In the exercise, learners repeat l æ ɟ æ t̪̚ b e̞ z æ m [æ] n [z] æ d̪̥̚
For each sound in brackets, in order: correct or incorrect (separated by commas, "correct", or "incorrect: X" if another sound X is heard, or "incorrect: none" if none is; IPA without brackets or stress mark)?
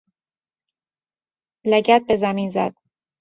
incorrect: i, correct